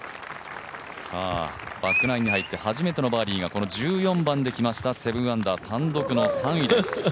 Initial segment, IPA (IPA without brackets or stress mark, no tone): s